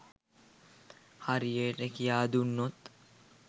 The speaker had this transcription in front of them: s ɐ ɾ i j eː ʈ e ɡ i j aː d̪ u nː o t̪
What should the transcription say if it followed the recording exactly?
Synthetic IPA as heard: h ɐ ɾ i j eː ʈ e k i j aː d̪ u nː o t̪

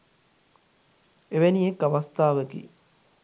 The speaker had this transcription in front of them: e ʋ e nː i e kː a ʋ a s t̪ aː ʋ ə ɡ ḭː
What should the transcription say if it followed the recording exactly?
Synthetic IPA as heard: e ʋ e n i e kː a ʋ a s t̪ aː ʋ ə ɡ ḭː

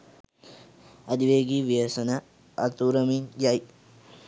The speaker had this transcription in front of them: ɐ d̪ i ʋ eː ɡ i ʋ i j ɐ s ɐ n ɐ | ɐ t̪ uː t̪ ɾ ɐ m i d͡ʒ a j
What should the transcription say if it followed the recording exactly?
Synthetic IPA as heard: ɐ d̪ i ʋ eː ɡ i ʋ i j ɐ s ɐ n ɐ | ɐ t̪ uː ɾ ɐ m i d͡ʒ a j

